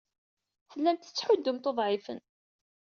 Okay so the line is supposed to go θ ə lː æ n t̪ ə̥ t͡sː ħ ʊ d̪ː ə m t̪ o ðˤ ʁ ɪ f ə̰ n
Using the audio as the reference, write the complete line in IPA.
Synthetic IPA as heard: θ ə lː æ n t̪ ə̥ t͡sː ħ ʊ d̪ː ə m t̪ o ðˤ ʕ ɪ f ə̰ n